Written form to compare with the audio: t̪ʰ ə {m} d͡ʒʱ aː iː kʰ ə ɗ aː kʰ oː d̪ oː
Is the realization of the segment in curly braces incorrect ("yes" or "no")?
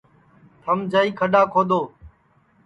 no